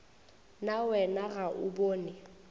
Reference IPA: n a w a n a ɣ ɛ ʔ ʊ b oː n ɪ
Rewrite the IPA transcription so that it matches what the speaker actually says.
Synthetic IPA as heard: n a w ɛ n a ɣ a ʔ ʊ b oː n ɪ